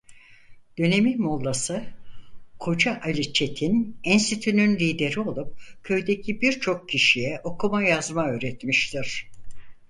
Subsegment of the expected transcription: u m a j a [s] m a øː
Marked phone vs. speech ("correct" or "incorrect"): incorrect